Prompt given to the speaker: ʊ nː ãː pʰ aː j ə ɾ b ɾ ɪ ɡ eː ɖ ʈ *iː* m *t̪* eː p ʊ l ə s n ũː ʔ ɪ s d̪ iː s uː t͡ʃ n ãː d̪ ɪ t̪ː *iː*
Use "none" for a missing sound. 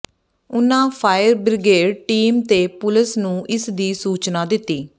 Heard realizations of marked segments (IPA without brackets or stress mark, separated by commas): iː, t̪, iː